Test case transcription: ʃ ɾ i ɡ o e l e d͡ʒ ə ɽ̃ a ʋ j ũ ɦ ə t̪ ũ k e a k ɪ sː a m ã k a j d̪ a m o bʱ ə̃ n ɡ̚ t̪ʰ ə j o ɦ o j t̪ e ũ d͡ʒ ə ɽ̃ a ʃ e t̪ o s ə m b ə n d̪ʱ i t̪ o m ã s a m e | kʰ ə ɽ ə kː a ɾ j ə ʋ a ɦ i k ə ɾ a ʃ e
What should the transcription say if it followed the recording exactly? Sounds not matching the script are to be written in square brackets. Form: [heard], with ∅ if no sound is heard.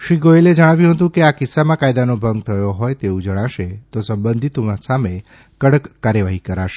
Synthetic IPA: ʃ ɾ i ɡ o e l e d͡ʒ ə ɽ̃ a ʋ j ũ ɦ ə t̪ ũ k e a k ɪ sː a m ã k a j d̪ a [n] o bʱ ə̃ [ŋ] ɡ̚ t̪ʰ ə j o ɦ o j t̪ e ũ d͡ʒ ə ɽ̃ a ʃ e t̪ o s ə m b ə n d̪ʱ i t̪ o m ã s a m e | [k] ə ɽ ə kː a ɾ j ə ʋ a ɦ i k ə ɾ a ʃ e